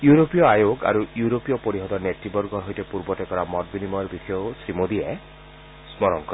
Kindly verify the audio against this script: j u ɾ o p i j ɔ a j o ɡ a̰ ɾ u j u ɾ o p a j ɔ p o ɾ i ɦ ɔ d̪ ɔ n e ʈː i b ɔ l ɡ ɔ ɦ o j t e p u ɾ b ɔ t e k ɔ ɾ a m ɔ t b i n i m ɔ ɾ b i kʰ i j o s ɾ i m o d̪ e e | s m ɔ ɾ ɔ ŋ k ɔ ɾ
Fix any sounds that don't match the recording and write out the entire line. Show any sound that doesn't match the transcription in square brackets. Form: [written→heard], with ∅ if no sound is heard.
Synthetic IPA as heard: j u ɾ o p i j ɔ a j o ɡ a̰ ɾ u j u ɾ o p [a→i] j ɔ p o ɾ i ɦ ɔ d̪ ɔ n e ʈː i b ɔ [l→ɾ] ɡ ɔ ɦ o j t e p u ɾ b ɔ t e k ɔ ɾ a m ɔ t b i n i m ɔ ɾ b i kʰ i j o s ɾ i m o d̪ [e→i] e | s m ɔ ɾ ɔ ŋ k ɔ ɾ